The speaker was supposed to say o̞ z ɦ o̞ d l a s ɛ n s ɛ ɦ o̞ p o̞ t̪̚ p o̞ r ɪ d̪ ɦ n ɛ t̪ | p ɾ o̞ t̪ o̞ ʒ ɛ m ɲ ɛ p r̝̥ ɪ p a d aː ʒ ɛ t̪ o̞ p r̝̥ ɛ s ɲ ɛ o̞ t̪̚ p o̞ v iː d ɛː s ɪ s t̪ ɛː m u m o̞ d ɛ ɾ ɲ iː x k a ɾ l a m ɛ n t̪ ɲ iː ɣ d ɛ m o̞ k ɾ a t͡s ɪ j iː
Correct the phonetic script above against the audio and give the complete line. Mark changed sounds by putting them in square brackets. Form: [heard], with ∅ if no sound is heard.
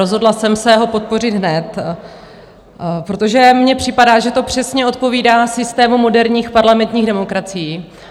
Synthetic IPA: o̞ z ɦ o̞ d l a s ɛ [m] s ɛ ɦ o̞ p o̞ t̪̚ p o̞ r ɪ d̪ ɦ n ɛ t̪ | p ɾ o̞ t̪ o̞ ʒ ɛ m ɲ ɛ p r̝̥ ɪ p a d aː ʒ ɛ t̪ o̞ p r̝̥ ɛ s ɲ ɛ o̞ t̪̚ p o̞ v iː d [aː] s ɪ s t̪ ɛː m u m o̞ d ɛ ɾ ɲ iː x [p] a ɾ l a m ɛ n t̪ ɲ iː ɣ d ɛ m o̞ k ɾ a t͡s ɪ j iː